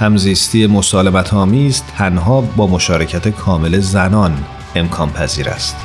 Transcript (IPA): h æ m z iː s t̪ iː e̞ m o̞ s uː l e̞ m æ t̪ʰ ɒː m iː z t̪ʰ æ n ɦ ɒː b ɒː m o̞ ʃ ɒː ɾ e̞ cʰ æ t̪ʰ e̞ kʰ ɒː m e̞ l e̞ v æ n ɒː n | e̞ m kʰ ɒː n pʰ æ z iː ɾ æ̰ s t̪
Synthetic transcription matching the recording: h æ m z iː s t̪ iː e̞ m o̞ s ɒː l e̞ m æ t̪ʰ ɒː m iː z t̪ʰ æ n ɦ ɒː b ɒː m o̞ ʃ ɒː ɾ e̞ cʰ æ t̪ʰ e̞ kʰ ɒː m e̞ l e̞ z æ n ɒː n | e̞ m kʰ ɒː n pʰ æ z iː ɾ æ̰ s t̪